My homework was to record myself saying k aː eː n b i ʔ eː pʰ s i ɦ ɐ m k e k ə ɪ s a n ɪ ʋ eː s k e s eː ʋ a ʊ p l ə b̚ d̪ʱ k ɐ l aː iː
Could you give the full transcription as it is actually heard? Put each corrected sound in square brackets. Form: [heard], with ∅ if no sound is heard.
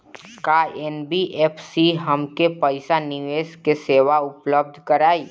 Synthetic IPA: k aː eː n b i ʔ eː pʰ s i ɦ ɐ m k e [p] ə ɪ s a n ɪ ʋ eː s k e s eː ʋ a ʊ p l ə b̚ d̪ʱ k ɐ [ɾ] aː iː